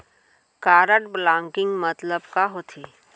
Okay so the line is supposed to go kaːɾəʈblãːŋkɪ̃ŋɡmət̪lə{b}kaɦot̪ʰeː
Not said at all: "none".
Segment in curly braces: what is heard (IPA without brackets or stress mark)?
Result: b